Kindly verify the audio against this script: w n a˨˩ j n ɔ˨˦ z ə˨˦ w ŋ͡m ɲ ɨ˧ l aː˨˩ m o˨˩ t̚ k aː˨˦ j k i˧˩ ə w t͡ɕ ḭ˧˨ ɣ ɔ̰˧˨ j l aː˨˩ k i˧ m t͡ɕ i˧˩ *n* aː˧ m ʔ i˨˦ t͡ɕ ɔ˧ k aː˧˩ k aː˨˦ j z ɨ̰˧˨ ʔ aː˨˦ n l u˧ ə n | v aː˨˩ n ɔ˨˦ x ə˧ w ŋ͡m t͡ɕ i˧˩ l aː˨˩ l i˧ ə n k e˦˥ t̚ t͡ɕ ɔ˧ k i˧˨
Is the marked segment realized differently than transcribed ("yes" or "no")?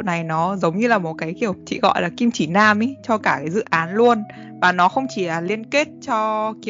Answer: no